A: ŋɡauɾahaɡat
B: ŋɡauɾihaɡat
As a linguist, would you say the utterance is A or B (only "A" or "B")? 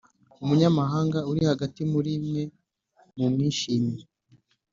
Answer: B